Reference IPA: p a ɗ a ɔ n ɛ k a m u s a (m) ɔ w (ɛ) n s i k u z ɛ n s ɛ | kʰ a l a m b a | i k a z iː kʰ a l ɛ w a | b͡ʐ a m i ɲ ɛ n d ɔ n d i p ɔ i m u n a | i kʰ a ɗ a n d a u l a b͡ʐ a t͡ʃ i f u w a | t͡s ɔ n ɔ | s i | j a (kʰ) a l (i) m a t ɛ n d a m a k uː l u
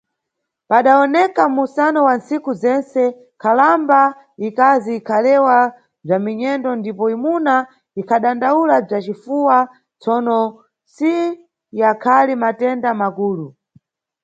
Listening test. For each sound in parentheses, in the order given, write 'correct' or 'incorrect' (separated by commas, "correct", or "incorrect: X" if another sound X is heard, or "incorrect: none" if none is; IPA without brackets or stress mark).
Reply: incorrect: n, incorrect: a, correct, correct